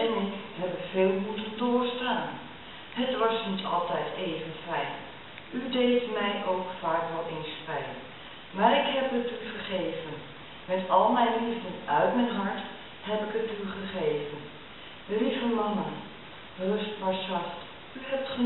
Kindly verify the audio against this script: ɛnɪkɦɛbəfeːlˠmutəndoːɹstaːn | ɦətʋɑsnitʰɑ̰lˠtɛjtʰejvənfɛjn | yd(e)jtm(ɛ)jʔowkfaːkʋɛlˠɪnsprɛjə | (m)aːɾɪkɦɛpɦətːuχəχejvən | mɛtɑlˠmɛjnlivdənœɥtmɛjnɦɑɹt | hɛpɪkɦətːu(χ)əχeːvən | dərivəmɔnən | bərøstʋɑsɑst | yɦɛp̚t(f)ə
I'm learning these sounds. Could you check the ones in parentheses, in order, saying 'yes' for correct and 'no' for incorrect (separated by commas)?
yes, yes, yes, yes, no